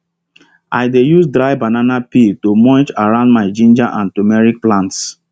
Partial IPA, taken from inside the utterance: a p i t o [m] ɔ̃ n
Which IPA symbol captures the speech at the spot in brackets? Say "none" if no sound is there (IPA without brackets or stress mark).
m